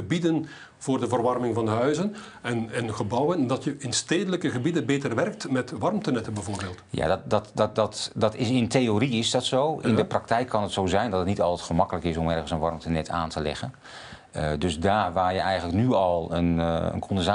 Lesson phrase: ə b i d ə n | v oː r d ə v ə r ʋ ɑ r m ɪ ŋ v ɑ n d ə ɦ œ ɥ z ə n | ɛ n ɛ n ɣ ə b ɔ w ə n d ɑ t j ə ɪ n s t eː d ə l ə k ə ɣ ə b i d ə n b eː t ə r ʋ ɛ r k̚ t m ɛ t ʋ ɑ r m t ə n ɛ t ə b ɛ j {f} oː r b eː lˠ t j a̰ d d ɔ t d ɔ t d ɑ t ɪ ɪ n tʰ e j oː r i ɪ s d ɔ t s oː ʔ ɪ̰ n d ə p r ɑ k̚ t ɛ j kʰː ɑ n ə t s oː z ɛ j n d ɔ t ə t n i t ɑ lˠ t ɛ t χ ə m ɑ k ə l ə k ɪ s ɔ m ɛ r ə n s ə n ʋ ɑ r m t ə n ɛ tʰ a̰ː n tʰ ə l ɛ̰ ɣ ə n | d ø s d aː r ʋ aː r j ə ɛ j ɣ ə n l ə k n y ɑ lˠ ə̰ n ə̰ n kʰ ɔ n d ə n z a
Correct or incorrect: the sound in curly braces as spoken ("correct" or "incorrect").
incorrect